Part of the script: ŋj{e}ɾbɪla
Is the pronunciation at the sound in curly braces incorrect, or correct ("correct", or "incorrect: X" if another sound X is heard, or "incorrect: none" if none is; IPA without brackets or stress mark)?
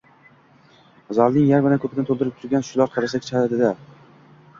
incorrect: a